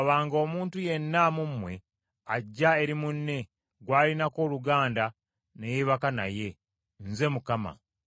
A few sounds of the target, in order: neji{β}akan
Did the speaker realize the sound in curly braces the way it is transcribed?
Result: yes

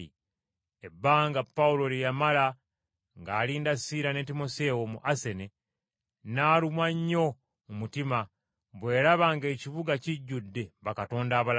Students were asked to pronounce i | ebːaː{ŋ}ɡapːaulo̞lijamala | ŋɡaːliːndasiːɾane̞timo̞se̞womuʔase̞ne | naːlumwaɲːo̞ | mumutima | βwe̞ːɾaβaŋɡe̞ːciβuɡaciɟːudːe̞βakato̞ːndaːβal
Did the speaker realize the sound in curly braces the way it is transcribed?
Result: yes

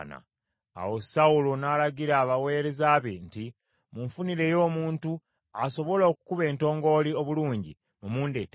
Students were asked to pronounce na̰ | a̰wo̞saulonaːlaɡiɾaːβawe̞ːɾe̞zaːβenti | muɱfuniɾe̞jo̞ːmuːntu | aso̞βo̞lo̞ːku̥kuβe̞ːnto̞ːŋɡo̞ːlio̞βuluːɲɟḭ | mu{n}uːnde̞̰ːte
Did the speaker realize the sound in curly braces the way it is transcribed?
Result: no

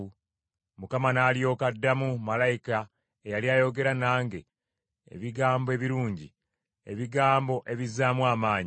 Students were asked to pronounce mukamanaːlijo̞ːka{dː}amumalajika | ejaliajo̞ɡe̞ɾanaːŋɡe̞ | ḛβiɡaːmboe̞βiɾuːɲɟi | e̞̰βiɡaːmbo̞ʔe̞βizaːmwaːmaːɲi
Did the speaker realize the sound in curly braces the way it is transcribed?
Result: yes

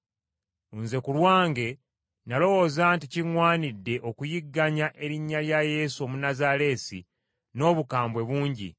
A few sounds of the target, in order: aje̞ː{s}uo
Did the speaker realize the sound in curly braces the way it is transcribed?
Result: yes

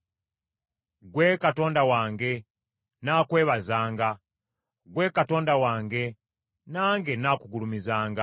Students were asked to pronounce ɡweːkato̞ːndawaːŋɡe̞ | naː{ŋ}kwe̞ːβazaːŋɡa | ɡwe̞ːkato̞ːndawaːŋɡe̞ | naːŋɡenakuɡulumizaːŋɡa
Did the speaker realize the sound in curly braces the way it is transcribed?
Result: no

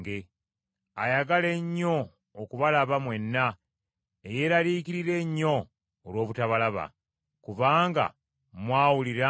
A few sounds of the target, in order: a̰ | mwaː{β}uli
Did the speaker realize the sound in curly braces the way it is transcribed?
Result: no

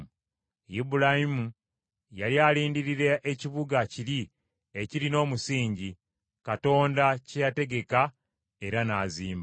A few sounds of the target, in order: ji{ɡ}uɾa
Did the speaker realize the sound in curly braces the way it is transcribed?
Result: no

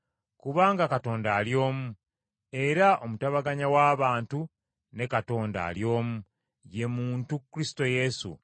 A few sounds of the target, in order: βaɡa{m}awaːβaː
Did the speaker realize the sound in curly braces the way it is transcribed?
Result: no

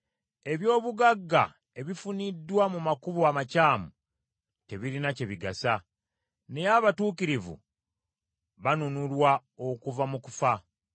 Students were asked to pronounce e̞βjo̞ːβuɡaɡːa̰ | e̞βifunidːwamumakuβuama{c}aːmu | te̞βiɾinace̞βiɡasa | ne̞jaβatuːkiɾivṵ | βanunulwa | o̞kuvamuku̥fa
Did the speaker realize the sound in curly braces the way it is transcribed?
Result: yes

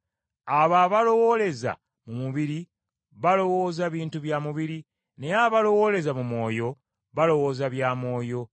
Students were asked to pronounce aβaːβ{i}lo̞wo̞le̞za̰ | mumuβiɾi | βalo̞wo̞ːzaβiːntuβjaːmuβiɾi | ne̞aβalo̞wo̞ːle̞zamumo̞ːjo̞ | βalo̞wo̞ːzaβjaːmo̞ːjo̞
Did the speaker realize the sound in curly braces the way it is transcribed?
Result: no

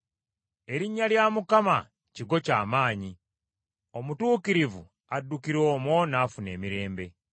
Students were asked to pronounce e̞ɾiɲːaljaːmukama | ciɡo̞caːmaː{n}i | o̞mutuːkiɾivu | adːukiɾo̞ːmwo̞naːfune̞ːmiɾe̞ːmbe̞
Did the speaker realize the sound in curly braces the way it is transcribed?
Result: no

